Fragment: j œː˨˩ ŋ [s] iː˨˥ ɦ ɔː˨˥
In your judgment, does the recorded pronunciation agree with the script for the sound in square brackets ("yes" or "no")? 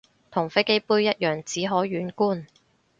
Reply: no